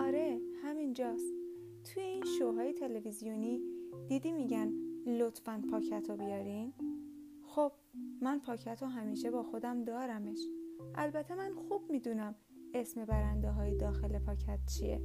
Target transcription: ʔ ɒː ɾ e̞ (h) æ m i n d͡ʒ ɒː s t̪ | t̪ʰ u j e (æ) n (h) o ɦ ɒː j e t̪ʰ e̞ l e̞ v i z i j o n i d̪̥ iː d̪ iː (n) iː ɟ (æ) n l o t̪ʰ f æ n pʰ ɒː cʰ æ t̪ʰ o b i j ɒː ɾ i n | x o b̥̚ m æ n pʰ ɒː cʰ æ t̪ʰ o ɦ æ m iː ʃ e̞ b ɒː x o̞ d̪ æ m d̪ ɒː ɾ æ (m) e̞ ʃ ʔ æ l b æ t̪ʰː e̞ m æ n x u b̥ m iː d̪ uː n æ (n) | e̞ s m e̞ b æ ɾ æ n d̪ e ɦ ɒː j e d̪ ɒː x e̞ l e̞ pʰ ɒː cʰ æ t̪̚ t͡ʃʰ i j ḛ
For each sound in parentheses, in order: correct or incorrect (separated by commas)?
correct, incorrect, incorrect, incorrect, correct, correct, incorrect